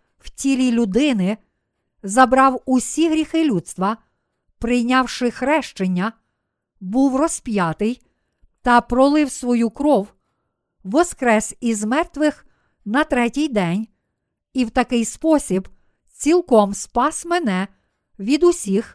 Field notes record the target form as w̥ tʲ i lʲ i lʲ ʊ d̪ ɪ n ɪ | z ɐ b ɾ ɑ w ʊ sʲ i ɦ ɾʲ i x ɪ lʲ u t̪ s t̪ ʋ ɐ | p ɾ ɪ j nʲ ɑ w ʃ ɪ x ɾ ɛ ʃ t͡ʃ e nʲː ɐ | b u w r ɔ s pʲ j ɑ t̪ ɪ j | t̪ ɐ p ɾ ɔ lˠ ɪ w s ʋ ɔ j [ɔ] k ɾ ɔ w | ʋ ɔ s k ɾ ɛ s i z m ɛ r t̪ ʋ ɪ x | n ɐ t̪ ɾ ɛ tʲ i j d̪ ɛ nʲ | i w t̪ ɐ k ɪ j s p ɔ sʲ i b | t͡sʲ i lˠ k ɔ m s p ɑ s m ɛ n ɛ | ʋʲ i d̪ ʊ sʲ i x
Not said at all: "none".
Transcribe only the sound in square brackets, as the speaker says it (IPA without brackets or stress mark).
u